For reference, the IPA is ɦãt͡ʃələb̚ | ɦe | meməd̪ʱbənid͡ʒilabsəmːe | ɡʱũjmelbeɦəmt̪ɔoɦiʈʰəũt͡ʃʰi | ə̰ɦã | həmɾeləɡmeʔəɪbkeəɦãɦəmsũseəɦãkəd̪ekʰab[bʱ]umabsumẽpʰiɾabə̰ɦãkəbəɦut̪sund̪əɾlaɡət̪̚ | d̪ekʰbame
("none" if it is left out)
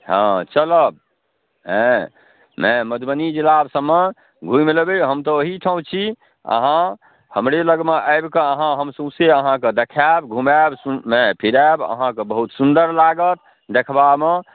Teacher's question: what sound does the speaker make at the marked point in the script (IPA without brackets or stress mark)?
ɡʱ